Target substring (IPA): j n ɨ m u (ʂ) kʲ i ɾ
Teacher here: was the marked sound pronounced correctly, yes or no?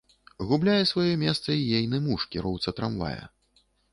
yes